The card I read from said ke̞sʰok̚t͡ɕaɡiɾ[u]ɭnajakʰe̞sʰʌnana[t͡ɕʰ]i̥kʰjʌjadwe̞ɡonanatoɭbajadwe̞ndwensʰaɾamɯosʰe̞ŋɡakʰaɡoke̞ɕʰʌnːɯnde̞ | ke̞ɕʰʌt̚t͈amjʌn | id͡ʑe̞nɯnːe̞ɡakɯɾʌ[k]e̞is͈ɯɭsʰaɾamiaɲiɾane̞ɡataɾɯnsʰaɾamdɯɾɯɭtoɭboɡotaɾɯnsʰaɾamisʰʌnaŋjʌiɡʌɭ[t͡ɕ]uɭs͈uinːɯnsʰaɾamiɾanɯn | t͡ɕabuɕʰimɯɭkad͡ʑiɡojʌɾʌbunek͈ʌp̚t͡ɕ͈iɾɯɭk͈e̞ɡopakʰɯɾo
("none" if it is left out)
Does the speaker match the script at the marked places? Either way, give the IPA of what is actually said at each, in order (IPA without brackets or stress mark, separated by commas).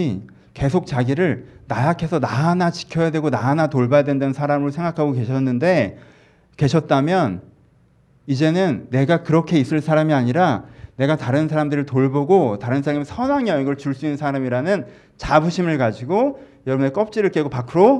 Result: ɯ, t͡ɕ, kʰ, t͡ɕ